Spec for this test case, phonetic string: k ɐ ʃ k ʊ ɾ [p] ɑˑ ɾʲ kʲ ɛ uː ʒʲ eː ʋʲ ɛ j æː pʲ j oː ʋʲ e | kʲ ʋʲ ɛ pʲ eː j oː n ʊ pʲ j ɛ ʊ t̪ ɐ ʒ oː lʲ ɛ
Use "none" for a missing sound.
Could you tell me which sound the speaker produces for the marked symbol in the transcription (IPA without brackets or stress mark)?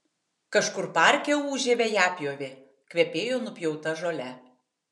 p